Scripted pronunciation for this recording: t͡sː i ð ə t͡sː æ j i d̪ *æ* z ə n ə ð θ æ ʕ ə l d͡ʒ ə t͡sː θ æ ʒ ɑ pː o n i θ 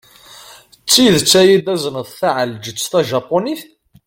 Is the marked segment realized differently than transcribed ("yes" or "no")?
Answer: no